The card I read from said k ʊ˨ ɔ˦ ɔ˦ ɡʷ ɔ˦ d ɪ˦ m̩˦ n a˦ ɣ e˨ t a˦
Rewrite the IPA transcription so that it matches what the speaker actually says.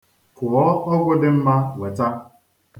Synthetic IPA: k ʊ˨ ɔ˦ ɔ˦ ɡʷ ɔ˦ d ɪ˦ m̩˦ m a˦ w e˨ t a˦